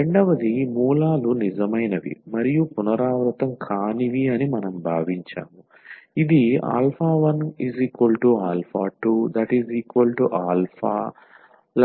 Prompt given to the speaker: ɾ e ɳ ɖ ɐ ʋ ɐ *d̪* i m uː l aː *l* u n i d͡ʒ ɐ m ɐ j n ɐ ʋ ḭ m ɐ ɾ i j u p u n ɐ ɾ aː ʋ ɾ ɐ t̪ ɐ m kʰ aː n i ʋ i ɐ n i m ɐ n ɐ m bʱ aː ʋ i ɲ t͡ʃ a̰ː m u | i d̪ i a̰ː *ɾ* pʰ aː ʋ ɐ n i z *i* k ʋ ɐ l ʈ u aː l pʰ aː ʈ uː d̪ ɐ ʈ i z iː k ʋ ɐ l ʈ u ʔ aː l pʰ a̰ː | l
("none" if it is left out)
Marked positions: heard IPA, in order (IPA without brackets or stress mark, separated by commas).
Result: d̪, l, l, iː